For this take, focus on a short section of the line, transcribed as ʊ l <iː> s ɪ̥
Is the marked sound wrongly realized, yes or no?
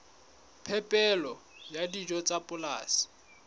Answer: yes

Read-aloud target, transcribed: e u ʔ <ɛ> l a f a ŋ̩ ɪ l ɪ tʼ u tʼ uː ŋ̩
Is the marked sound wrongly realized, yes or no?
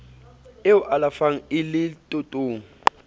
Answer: yes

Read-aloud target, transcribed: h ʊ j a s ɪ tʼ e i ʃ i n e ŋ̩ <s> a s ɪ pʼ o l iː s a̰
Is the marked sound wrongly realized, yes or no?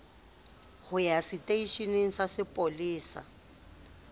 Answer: no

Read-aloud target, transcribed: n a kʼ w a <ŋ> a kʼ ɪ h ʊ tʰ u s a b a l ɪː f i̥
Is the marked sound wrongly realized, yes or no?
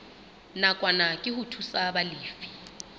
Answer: yes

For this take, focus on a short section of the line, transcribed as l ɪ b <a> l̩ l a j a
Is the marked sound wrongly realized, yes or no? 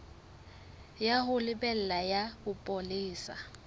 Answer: yes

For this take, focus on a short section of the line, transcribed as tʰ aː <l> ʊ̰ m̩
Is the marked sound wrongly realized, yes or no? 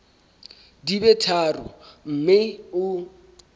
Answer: yes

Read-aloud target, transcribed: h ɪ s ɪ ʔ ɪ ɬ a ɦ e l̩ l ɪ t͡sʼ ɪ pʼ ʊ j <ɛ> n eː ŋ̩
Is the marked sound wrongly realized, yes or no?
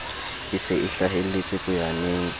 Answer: yes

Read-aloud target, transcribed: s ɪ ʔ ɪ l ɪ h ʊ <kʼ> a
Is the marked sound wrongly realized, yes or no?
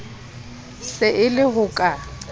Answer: no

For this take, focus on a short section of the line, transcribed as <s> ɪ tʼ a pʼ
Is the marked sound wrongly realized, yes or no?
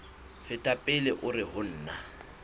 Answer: yes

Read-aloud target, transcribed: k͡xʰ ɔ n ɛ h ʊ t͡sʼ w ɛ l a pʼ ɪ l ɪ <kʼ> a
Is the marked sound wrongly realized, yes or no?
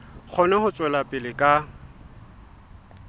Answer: no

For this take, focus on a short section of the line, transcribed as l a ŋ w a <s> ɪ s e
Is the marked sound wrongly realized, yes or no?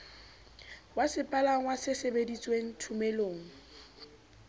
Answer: no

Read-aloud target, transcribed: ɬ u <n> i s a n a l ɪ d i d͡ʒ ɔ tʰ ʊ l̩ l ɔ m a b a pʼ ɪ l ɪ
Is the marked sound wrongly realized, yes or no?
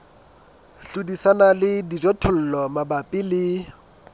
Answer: yes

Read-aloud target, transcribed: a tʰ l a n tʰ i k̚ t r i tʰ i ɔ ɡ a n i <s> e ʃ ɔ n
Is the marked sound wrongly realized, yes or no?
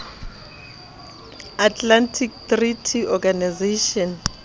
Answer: yes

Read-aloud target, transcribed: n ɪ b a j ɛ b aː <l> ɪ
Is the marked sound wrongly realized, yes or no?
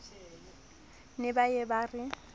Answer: yes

